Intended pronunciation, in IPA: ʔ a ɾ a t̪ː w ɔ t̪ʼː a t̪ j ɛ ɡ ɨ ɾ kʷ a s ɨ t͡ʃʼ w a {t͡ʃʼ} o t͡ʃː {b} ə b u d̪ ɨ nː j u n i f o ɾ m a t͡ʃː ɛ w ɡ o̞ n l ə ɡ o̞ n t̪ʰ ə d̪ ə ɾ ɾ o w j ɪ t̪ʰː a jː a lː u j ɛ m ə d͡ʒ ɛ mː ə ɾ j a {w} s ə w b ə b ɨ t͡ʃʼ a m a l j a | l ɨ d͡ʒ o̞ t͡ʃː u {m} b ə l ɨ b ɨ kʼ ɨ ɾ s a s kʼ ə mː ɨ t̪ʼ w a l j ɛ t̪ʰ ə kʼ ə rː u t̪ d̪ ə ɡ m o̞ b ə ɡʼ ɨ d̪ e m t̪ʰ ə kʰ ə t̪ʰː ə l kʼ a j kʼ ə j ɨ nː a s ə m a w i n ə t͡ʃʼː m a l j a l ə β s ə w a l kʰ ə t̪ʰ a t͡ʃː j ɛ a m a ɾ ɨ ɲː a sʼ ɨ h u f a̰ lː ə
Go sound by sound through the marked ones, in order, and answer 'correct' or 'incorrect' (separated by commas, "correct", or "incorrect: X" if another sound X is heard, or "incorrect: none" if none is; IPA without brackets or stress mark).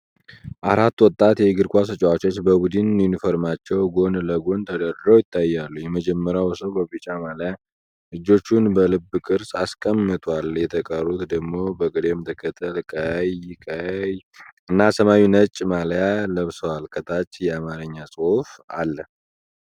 incorrect: t͡ʃ, correct, correct, incorrect: n